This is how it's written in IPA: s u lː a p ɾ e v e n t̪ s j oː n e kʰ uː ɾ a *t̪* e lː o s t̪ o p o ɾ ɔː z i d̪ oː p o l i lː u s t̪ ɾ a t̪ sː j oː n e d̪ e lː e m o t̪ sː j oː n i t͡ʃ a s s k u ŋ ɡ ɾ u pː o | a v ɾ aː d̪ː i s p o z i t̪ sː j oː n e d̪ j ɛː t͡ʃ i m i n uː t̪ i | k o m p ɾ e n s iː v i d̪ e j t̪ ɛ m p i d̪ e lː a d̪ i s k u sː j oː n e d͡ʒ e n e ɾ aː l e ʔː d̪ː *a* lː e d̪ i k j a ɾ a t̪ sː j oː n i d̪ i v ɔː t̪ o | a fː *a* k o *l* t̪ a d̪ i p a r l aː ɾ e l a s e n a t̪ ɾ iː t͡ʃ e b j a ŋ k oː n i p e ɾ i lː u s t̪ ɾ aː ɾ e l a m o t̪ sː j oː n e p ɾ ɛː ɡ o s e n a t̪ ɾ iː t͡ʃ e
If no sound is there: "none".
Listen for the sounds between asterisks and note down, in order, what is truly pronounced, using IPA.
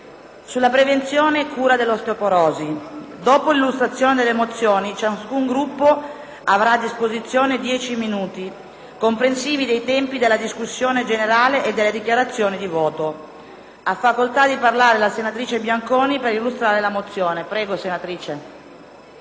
d̪, e, a, l

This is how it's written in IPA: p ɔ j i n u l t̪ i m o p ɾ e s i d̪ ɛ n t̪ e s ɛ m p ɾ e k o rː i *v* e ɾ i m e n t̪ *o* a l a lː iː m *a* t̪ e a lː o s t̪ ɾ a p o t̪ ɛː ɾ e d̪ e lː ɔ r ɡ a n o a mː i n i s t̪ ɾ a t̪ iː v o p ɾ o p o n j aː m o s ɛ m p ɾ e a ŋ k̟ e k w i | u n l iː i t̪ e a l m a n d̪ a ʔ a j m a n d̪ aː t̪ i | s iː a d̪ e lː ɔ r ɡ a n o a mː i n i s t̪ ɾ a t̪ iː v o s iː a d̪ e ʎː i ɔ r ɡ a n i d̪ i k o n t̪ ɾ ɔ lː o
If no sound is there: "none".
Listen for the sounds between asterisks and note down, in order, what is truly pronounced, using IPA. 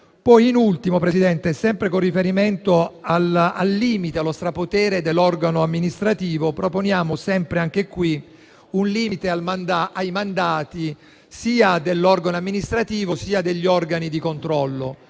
f, o, i

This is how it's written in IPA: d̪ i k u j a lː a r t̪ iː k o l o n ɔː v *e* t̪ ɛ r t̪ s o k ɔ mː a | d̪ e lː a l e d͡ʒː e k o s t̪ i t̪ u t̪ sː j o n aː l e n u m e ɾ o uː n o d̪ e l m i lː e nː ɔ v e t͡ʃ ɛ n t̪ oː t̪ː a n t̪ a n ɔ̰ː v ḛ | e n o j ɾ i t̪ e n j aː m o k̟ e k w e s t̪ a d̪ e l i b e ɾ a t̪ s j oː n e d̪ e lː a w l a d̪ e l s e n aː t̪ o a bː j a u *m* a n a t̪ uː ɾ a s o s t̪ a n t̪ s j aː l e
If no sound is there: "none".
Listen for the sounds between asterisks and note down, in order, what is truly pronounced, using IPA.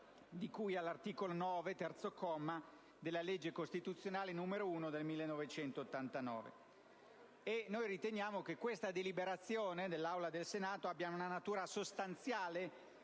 e, n

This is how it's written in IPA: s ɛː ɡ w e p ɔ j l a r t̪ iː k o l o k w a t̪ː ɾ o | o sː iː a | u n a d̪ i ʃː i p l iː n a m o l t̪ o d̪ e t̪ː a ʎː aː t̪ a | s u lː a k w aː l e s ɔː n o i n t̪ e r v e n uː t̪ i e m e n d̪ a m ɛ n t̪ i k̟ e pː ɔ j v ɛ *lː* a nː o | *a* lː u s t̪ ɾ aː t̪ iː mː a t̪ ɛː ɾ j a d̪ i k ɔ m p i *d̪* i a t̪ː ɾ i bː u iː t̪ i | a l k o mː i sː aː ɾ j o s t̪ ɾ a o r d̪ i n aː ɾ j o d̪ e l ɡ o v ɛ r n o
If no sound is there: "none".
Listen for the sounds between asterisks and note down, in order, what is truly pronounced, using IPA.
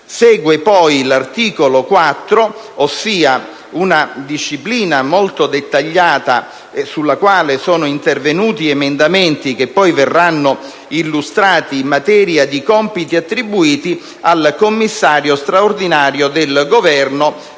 rː, i, t̪

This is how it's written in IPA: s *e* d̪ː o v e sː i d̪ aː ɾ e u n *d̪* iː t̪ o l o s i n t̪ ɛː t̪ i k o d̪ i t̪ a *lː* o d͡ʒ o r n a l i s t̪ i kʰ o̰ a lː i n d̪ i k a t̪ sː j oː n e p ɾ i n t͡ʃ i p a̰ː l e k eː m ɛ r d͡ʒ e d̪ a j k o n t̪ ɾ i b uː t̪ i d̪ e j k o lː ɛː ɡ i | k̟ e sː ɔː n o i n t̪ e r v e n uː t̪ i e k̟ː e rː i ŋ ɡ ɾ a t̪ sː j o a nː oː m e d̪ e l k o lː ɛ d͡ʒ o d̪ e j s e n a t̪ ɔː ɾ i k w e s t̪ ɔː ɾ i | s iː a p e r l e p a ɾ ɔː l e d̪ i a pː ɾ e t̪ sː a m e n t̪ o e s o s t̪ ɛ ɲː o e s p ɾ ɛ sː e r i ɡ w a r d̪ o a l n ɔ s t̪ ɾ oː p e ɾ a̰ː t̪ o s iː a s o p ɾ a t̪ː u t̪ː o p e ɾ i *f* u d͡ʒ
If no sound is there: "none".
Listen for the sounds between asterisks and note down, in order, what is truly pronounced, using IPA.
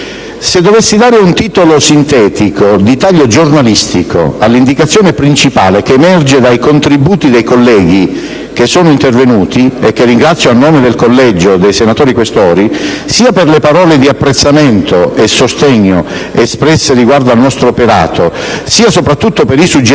e, t̪, ʎː, s

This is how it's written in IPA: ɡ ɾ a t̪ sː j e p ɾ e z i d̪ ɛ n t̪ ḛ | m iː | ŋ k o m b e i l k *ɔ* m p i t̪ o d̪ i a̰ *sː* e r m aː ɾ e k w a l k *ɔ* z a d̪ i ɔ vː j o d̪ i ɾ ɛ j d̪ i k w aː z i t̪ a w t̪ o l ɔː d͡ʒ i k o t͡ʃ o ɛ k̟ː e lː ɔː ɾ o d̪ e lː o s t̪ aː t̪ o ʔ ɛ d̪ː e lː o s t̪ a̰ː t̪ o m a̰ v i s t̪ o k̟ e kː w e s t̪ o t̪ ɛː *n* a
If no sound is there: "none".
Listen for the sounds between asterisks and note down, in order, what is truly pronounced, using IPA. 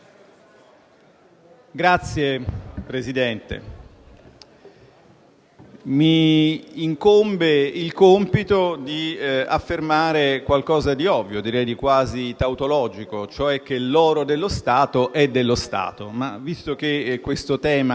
o, fː, ɔː, m

